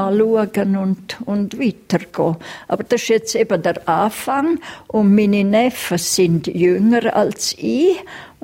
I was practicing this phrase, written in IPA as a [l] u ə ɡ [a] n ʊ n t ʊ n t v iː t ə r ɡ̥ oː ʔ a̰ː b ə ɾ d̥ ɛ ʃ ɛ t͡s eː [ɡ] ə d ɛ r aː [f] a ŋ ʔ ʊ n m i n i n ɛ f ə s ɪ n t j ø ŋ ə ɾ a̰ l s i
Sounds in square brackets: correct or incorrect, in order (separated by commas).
correct, incorrect, incorrect, correct